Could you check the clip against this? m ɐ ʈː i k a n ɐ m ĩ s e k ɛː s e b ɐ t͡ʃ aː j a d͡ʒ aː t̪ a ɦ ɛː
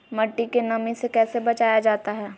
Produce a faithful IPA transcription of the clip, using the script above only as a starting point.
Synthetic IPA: m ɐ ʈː i k e n ɐ m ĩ s e k ɛː s e b ɐ t͡ʃ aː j a d͡ʒ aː t̪ a ɦ ɛː